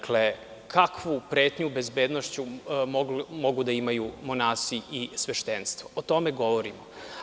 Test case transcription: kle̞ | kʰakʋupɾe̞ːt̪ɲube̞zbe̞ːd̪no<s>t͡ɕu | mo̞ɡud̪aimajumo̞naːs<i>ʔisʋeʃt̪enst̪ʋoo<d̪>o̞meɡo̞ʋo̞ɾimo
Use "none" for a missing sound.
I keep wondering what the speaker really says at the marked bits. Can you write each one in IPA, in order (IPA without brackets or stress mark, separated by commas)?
ʃ, i, t̪